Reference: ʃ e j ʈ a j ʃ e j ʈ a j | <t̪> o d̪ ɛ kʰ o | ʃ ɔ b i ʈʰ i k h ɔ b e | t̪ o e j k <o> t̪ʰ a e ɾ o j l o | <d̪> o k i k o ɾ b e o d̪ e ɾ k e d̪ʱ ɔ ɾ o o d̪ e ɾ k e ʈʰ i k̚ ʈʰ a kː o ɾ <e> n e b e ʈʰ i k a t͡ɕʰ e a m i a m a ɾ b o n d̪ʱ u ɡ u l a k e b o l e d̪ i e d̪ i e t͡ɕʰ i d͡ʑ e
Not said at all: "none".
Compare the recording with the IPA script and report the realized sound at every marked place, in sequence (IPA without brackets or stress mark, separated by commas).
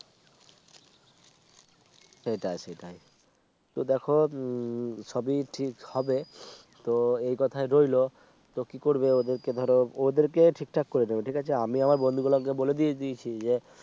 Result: t̪, ɔ, t̪, e